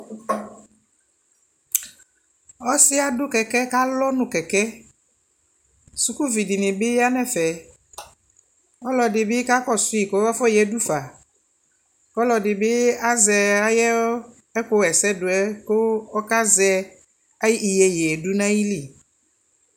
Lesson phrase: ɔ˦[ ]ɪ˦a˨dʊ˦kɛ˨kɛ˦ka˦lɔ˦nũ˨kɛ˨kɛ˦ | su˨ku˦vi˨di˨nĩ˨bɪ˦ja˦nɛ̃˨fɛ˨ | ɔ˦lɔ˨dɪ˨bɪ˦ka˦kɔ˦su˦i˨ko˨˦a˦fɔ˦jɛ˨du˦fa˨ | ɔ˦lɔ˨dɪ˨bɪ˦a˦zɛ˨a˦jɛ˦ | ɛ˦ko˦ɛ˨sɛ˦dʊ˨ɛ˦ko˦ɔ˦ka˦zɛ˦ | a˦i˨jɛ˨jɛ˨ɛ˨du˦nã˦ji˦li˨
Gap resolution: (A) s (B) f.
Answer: A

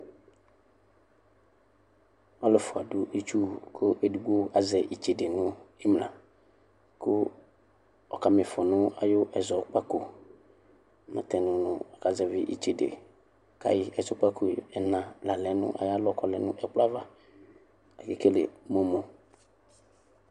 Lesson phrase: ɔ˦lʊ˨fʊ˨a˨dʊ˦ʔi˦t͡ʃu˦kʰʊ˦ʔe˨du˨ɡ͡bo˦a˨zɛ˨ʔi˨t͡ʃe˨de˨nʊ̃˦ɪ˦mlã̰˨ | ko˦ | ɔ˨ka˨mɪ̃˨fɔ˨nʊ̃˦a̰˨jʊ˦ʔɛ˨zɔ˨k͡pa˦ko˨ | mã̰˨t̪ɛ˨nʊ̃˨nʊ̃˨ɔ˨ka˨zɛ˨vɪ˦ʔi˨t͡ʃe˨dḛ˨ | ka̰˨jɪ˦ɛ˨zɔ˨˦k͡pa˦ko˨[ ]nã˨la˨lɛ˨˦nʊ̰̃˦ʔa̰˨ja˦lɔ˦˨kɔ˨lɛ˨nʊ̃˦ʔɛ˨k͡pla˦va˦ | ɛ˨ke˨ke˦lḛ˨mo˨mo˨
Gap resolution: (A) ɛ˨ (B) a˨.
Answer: A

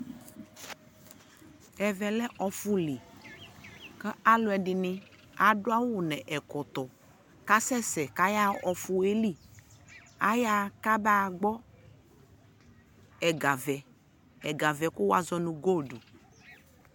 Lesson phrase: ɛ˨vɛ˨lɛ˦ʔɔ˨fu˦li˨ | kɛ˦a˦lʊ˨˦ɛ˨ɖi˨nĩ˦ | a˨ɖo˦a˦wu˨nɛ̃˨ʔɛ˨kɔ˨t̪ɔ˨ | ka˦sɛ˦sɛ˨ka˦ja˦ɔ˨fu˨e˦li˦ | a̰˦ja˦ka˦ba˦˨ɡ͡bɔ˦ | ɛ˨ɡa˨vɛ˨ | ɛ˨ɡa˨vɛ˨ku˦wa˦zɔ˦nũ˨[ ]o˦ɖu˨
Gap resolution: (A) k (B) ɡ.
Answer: B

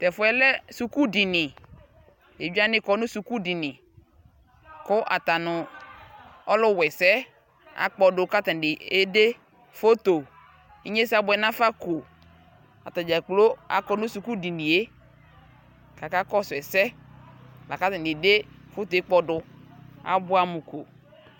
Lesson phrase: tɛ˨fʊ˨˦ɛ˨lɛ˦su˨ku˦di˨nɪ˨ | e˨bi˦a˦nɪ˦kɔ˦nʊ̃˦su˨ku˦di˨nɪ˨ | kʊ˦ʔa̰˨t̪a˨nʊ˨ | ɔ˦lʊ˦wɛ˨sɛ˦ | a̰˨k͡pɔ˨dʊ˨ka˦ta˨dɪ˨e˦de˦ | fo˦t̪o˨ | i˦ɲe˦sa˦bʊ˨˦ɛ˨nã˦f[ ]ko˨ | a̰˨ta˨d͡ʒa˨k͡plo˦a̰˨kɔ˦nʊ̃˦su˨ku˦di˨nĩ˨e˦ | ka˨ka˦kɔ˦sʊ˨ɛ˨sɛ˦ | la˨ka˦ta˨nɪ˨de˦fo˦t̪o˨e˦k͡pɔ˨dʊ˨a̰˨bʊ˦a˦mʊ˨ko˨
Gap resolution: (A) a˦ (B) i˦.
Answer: A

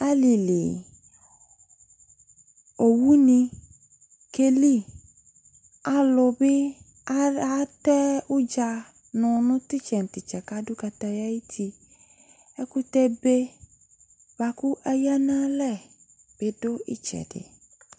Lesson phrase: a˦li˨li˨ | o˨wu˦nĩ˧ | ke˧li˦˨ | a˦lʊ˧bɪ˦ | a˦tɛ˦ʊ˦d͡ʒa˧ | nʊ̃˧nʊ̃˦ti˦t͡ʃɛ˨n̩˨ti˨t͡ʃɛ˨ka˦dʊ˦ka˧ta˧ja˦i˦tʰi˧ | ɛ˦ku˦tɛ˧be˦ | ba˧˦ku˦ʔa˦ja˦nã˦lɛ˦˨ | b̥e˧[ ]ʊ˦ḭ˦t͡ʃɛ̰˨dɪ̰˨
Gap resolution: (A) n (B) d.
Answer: B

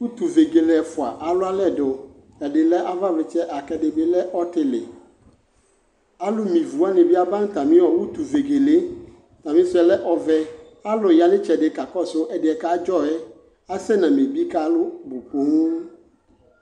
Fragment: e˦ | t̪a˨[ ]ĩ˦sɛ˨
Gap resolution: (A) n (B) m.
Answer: B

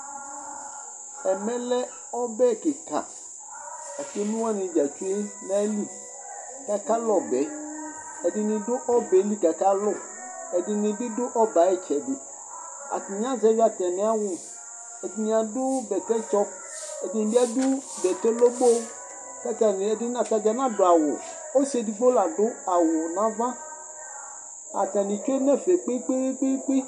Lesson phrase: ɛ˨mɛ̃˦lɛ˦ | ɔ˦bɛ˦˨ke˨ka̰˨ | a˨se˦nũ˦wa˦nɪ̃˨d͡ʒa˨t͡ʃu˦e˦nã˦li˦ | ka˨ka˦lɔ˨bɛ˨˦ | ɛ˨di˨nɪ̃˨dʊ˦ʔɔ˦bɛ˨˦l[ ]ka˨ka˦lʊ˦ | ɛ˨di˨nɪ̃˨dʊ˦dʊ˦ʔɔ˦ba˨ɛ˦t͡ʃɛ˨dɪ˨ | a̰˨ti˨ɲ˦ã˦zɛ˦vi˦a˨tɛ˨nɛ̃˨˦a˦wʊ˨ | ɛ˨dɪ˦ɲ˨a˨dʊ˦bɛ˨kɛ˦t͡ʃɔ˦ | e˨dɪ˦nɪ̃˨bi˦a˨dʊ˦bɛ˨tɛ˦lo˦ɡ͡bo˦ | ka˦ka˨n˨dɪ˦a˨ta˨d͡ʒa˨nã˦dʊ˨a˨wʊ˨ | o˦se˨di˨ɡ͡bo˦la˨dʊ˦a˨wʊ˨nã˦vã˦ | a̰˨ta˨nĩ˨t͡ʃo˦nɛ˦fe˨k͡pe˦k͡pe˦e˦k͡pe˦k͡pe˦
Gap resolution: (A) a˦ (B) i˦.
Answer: B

